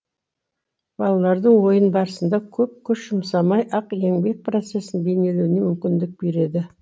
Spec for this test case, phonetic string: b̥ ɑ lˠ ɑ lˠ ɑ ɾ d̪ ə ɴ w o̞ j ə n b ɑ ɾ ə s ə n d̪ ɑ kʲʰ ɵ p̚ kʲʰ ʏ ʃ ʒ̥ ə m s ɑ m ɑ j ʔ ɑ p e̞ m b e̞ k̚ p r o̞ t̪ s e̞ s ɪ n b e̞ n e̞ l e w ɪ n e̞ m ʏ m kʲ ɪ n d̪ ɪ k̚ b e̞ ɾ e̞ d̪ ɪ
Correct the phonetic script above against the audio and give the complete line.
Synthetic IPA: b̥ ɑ lˠ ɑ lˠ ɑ ɾ d̪ ə ɴ w o̞ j ə n b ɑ ɾ ə s ə n d̪ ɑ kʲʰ ɵ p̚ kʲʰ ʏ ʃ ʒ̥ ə m s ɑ m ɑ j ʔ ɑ q e̞ ŋ b e̞ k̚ p r o̞ t̪ s e̞ s ɪ n b e̞ n e̞ l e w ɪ n e̞ m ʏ m kʲ ɪ n d̪ ɪ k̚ b e̞ ɾ e̞ d̪ ɪ